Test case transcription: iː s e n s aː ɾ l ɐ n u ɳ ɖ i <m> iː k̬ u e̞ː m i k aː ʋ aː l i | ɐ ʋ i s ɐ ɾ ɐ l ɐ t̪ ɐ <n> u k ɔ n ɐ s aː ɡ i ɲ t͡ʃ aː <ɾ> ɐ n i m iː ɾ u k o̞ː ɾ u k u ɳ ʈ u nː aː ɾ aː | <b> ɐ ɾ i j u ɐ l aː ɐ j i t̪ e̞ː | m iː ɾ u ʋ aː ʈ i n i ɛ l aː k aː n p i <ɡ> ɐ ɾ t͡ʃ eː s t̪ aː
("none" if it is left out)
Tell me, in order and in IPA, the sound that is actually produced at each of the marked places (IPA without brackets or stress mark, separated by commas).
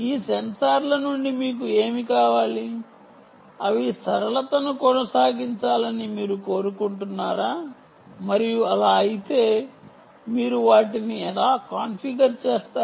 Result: m, n, l, m, ɡ